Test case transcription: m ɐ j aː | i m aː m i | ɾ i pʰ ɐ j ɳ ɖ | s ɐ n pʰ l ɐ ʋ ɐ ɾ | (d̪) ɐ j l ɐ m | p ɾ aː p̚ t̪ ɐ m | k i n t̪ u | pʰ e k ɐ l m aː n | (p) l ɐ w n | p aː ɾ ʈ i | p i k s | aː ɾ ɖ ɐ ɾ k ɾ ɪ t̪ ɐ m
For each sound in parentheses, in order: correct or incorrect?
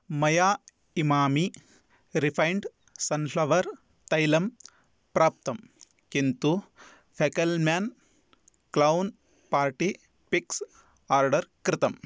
incorrect: t̪, incorrect: k

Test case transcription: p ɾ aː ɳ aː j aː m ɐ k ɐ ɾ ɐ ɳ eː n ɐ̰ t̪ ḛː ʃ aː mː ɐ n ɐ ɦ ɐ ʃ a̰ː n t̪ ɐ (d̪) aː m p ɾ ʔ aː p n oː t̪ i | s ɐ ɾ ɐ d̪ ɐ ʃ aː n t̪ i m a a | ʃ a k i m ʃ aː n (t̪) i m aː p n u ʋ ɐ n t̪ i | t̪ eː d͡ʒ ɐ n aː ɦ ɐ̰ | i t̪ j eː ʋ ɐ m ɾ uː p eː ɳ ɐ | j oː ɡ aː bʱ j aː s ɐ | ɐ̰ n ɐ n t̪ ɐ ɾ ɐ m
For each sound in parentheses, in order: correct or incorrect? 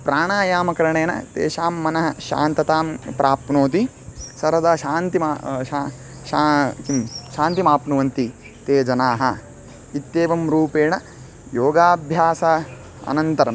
incorrect: t̪, correct

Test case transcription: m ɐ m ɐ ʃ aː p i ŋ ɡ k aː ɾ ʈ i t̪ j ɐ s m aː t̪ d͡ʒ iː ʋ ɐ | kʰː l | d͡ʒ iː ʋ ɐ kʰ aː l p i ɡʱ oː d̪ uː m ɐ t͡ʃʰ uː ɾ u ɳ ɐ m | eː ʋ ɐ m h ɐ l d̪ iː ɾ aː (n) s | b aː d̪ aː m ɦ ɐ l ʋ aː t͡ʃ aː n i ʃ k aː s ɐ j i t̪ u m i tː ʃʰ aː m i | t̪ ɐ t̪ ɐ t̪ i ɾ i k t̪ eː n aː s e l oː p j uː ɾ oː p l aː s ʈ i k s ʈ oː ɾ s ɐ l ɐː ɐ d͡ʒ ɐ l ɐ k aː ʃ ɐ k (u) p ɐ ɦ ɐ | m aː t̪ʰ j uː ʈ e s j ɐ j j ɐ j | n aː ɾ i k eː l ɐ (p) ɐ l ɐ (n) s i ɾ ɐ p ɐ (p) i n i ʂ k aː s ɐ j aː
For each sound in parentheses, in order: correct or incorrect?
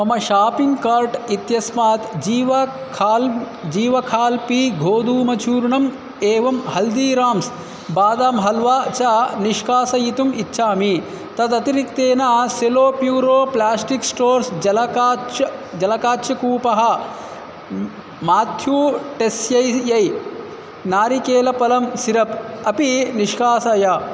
incorrect: m, incorrect: uː, correct, incorrect: m, correct

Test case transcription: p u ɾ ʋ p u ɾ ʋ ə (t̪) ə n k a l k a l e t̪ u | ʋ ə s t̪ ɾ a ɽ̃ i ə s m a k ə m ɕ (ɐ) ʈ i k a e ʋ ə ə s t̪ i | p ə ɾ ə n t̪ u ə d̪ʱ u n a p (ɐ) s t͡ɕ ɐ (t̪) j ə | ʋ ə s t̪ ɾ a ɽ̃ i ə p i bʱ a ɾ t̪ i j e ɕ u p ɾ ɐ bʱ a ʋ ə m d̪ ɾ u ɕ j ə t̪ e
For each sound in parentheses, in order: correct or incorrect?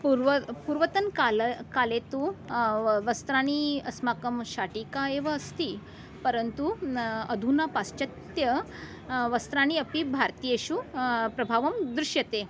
correct, incorrect: a, incorrect: a, correct

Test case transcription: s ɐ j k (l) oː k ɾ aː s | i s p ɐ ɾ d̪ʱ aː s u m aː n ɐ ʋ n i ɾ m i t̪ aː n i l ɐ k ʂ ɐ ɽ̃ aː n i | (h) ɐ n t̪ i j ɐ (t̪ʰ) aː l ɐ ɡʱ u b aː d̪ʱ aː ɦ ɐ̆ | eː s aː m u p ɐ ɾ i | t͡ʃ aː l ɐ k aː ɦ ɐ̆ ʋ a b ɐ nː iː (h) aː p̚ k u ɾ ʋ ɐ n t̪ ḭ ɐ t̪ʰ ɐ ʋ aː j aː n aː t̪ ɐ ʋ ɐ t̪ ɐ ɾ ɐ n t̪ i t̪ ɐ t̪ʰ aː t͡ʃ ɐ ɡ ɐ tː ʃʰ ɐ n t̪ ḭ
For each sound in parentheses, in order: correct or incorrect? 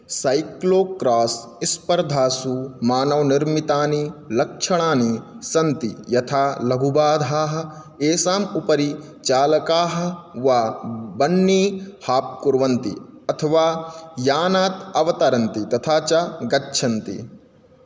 correct, incorrect: s, correct, correct

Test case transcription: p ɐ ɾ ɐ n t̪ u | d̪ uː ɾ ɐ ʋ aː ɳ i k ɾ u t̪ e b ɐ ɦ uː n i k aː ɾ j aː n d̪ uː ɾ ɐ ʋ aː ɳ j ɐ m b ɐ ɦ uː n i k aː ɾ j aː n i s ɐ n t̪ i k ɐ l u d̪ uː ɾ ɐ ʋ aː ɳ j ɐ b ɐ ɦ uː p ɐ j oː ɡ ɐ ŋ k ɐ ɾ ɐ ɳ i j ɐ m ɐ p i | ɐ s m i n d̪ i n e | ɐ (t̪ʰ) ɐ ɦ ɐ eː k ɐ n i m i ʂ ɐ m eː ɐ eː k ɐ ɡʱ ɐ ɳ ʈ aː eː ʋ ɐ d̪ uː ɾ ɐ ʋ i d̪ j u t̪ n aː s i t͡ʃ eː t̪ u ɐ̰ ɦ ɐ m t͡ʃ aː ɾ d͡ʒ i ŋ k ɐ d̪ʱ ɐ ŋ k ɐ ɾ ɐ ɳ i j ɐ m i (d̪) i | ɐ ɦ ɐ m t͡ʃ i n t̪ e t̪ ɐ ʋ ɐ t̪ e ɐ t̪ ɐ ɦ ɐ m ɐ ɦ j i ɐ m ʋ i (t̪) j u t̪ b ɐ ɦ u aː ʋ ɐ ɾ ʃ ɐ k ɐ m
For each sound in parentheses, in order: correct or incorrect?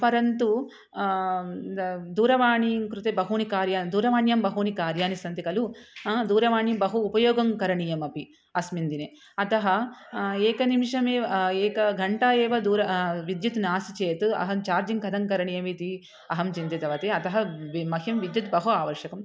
incorrect: t̪, incorrect: t̪, incorrect: d̪

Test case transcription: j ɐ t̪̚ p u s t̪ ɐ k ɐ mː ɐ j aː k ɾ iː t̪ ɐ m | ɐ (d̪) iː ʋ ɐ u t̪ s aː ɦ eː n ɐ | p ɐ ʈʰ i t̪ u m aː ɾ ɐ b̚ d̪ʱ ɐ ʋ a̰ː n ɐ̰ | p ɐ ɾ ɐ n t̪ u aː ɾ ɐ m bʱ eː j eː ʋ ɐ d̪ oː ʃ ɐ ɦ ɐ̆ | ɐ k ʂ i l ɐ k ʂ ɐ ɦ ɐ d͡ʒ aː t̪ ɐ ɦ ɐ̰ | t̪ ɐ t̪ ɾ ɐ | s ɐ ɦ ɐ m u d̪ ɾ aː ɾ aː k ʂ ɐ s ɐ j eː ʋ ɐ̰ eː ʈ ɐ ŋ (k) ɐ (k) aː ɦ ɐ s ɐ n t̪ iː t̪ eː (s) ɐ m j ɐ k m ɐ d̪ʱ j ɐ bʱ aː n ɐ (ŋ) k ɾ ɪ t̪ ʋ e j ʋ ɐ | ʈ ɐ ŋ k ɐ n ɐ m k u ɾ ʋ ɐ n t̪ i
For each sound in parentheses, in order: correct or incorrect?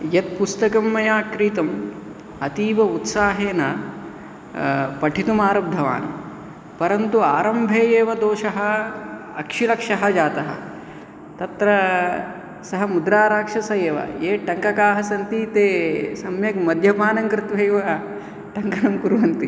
incorrect: t̪, correct, correct, correct, correct

